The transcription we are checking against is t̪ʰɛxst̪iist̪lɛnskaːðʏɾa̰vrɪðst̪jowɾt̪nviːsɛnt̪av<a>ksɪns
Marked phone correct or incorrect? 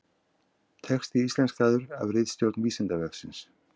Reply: incorrect